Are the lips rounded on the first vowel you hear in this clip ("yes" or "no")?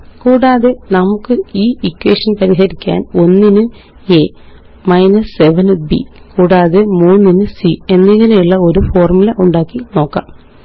yes